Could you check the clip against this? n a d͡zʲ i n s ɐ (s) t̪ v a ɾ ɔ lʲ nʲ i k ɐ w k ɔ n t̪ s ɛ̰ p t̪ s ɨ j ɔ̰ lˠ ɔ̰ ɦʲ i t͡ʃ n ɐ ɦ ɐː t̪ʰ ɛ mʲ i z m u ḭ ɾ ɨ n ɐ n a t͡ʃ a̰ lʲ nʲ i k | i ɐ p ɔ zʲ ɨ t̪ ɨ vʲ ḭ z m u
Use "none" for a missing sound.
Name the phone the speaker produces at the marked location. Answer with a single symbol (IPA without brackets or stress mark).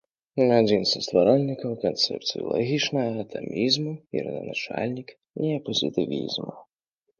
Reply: s